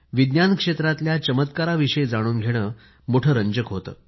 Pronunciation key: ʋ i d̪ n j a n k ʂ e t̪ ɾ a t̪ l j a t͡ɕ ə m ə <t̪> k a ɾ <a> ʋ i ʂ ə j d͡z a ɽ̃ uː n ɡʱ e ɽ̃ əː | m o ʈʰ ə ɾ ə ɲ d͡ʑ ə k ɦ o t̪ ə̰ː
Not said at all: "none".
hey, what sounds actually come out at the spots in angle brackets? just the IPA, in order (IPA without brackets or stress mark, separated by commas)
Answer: t̪, a